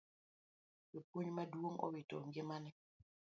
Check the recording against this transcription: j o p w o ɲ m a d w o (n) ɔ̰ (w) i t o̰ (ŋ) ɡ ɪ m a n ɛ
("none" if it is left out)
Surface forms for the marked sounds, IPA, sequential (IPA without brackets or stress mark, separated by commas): ŋ, w, ŋ